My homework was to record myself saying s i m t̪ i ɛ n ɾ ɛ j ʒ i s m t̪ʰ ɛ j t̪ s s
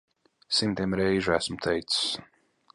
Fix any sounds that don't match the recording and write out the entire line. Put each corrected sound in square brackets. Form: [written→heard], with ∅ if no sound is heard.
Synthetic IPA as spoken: s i m t̪ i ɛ [n→m] ɾ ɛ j ʒ [i→æ] s m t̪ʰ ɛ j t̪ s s

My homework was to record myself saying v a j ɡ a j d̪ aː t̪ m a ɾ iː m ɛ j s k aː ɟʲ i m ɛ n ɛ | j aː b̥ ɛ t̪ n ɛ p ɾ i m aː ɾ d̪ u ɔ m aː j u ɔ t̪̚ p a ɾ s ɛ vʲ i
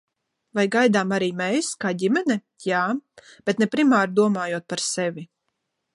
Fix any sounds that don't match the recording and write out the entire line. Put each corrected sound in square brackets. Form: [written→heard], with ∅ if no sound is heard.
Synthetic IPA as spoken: v a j ɡ a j d̪ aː [t̪→∅] m a ɾ iː m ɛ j s k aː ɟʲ i m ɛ n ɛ | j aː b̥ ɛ t̪ n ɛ p ɾ i m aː ɾ d̪ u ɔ m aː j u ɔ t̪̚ p a ɾ s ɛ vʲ i

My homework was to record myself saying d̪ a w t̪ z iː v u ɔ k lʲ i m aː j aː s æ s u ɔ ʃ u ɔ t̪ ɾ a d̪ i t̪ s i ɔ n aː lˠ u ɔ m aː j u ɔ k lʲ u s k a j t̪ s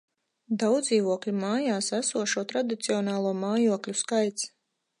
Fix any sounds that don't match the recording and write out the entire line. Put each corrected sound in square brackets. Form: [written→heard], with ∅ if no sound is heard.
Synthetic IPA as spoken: d̪ a w [t̪→d̪] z iː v u ɔ k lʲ i m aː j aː s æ s u ɔ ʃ u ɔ t̪ ɾ a d̪ i t̪ s i ɔ n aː lˠ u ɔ m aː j u ɔ k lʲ u s k a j t̪ s

